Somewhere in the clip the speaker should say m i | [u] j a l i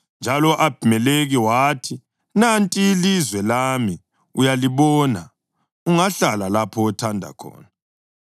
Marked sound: correct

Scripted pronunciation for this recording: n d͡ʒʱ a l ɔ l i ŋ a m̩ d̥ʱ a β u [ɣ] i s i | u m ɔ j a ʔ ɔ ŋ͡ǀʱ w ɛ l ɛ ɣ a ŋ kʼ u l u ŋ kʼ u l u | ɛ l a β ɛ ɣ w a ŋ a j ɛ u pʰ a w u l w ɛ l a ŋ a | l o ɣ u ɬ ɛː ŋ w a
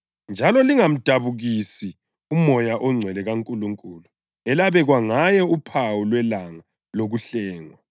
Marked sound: correct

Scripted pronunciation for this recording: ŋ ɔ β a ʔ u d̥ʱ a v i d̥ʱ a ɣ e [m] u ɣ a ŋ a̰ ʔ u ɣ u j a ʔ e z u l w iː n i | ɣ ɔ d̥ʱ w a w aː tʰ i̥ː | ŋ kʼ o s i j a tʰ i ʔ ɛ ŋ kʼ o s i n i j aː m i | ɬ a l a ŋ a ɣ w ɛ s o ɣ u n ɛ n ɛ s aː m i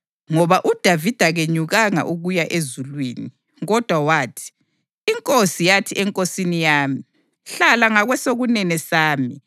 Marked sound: incorrect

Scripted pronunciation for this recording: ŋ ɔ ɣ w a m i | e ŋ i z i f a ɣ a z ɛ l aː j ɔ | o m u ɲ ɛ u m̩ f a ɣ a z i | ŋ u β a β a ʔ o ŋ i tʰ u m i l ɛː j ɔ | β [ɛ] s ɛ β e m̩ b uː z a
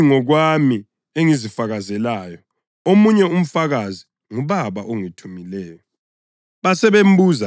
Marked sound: incorrect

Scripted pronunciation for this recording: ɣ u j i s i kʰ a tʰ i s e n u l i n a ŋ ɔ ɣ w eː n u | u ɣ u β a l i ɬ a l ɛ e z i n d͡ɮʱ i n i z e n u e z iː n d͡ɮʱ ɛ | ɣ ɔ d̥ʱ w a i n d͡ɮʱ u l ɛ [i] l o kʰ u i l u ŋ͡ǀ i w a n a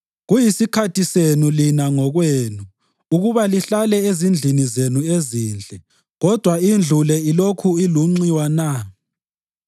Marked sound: correct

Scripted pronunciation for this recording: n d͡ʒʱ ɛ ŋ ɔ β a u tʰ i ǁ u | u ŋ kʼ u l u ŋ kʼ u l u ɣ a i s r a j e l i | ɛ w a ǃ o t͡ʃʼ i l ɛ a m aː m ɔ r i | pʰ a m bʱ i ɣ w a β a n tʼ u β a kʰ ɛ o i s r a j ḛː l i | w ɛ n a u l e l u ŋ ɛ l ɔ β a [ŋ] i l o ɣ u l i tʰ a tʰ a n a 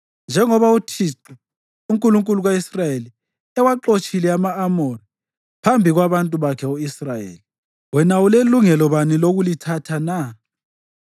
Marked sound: incorrect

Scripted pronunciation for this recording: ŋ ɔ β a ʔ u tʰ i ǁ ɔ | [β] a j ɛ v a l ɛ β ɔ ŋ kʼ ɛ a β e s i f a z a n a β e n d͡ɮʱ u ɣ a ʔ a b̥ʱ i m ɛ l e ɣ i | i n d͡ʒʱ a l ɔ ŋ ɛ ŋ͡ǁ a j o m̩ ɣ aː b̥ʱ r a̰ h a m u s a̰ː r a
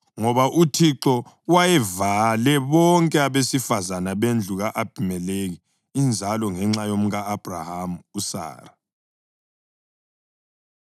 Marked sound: incorrect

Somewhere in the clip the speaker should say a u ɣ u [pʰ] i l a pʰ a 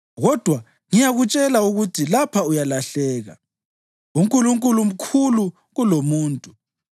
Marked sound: incorrect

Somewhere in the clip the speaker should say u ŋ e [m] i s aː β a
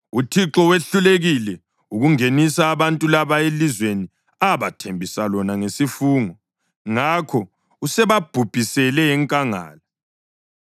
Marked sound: incorrect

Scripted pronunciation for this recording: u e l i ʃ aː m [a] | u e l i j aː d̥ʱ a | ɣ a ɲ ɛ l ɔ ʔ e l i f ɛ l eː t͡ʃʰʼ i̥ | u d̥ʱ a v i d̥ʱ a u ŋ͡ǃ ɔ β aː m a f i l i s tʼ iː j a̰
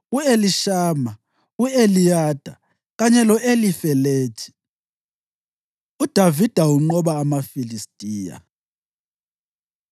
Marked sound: correct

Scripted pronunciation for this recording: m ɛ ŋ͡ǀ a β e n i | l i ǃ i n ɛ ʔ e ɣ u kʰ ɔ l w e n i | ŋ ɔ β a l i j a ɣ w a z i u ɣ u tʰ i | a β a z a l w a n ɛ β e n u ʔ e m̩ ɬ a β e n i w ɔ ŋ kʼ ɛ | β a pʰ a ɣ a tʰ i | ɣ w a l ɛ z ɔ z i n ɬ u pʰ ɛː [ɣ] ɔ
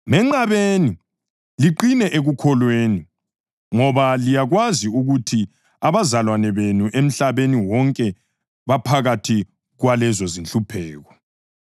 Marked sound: correct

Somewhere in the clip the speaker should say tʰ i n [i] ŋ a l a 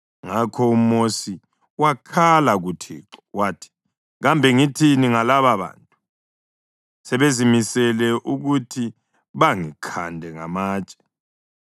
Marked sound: correct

